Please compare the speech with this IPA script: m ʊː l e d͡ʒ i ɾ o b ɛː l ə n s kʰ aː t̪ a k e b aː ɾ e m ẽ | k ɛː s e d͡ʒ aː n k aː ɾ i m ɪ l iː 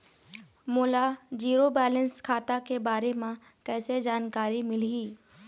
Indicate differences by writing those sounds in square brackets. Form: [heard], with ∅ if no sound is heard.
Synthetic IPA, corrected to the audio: m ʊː l [a] d͡ʒ [iː] ɾ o b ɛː l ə n s kʰ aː t̪ a k e b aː ɾ e m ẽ | k ɛː s e d͡ʒ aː n k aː ɾ i m ɪ l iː